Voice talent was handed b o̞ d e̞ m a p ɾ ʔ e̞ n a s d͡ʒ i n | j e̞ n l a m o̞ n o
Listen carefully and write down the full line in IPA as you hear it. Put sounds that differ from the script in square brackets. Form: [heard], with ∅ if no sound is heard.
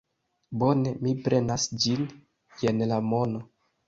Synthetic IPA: b o̞ [n] e̞ m [i] p ɾ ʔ e̞ n a s d͡ʒ i n | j e̞ n l a m o̞ n o